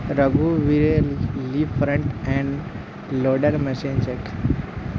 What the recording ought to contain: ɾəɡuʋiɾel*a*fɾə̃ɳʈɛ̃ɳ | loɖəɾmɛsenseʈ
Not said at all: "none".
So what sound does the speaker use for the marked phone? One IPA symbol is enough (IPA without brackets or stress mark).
i